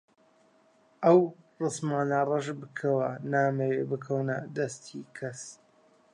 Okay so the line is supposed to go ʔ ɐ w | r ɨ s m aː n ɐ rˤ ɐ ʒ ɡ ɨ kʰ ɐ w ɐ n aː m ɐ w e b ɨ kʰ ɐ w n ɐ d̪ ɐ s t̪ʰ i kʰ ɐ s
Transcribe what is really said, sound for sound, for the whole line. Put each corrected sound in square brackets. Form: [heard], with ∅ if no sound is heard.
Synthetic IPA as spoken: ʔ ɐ w | r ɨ s m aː n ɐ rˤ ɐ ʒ [b] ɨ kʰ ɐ w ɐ n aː m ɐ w e b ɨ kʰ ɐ w n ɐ d̪ ɐ s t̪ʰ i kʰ ɐ s

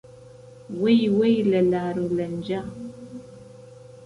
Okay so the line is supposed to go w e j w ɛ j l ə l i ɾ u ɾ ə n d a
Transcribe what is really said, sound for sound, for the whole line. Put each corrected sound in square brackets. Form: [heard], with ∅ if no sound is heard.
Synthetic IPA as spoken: w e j w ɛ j l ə l [a] ɾ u [l] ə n [d͡ʒ] a

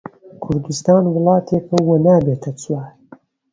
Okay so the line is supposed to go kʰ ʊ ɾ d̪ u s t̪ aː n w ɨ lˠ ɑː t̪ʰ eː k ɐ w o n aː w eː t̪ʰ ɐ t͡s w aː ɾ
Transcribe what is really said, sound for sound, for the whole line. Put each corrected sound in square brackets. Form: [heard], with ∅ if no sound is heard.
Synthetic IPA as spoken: kʰ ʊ ɾ d̪ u s t̪ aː n w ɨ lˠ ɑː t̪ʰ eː k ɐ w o n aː [b] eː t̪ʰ ɐ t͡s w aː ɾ

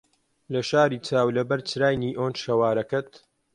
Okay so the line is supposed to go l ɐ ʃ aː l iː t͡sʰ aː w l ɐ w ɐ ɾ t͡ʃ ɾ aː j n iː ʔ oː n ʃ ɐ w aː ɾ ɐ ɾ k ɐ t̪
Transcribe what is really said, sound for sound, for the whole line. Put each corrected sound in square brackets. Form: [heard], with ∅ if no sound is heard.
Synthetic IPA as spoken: l ɐ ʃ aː [ɾ] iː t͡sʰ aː w l ɐ [b] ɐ ɾ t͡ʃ ɾ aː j n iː ʔ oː n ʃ ɐ w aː ɾ ɐ [∅] k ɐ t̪

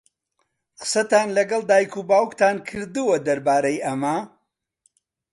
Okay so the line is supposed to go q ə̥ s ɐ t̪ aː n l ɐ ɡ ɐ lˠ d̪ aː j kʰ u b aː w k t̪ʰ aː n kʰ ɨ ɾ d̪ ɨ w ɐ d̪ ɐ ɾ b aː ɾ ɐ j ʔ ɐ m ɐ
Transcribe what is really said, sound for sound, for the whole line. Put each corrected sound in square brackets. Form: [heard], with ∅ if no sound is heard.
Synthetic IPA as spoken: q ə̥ s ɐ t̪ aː n l ɐ ɡ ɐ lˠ d̪ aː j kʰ u b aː w k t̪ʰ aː n kʰ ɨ ɾ d̪ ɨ w ɐ d̪ ɐ ɾ b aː ɾ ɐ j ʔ ɐ m ɐ

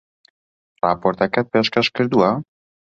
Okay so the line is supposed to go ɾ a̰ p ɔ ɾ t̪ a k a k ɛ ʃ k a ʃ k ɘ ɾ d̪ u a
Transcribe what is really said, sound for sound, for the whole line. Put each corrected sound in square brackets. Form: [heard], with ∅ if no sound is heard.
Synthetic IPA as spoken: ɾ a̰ p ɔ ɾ t̪ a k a [p] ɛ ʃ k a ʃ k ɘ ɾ d̪ u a

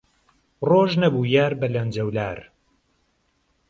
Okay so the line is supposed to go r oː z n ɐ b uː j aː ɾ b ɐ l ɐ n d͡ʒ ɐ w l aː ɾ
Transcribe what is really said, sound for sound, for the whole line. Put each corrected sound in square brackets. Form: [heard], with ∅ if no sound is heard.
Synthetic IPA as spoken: r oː [ʒ] n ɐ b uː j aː ɾ b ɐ l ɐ n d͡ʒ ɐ w l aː ɾ

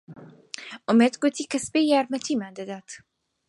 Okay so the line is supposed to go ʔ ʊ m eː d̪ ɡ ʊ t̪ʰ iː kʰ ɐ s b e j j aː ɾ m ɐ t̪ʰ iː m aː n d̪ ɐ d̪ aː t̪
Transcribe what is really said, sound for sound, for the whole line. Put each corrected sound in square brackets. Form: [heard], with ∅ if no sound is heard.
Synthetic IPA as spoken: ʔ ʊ m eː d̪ ɡ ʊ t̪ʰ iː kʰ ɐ s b e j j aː ɾ m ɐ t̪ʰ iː m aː n d̪ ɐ d̪ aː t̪

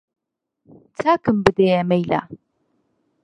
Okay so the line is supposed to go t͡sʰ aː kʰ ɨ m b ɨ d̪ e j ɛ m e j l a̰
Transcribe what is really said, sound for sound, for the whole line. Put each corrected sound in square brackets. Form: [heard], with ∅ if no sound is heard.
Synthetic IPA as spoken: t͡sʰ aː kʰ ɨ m b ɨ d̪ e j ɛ m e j l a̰

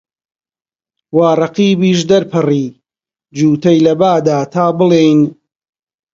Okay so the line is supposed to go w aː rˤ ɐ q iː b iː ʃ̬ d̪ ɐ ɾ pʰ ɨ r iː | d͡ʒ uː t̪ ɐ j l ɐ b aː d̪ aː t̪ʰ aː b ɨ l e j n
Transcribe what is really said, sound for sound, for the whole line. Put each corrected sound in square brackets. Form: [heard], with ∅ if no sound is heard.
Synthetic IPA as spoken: w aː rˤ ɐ q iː b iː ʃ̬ d̪ ɐ ɾ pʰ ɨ r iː | d͡ʒ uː t̪ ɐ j l ɐ b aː d̪ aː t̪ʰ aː b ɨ l e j n

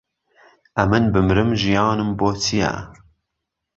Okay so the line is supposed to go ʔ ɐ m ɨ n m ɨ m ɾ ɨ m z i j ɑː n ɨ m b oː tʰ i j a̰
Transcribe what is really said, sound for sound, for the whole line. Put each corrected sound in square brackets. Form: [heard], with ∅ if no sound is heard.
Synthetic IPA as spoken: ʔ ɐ m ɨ n [b] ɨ m ɾ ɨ m [ʒ] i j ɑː n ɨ m b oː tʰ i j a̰

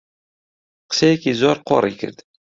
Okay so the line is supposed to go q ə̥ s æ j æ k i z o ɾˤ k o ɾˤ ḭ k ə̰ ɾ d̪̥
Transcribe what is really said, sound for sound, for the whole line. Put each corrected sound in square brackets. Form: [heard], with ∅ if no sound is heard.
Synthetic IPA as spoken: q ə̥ s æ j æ k i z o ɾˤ [q] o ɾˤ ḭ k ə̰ ɾ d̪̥

